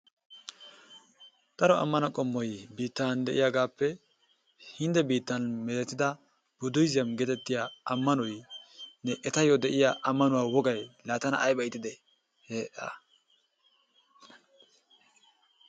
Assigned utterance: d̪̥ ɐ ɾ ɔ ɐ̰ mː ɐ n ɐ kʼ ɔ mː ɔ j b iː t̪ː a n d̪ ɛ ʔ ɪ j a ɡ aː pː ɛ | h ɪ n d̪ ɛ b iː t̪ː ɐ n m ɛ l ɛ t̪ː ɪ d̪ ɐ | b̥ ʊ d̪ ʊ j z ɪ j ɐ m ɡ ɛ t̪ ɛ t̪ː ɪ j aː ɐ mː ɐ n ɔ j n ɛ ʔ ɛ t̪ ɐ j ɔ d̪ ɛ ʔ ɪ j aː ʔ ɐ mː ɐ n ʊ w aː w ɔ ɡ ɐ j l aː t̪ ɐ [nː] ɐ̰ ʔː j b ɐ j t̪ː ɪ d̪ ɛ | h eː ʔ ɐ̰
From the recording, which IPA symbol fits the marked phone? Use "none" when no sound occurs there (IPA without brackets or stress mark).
n